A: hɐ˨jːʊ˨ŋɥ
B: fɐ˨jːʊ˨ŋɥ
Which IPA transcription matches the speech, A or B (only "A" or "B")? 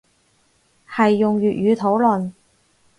A